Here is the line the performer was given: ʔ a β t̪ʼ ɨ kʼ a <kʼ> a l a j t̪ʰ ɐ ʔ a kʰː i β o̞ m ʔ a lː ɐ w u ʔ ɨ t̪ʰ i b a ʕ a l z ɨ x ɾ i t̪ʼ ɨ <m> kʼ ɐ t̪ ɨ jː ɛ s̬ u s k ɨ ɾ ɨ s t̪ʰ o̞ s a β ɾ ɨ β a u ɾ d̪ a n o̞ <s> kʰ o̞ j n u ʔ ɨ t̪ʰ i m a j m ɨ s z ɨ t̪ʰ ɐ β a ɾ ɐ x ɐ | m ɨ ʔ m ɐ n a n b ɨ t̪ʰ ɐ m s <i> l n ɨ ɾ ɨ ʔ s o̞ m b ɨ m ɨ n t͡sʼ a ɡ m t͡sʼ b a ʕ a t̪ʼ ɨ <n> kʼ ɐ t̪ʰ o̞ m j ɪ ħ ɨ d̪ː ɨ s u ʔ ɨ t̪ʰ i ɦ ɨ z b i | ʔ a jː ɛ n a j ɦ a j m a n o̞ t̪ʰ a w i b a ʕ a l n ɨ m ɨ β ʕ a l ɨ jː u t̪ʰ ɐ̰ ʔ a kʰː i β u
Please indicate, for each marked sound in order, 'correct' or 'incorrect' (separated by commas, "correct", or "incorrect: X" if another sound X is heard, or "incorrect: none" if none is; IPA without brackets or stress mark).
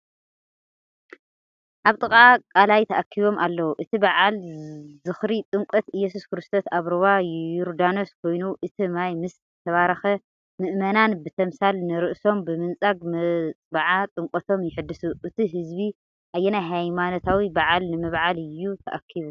correct, incorrect: ŋ, correct, incorrect: a, incorrect: ŋ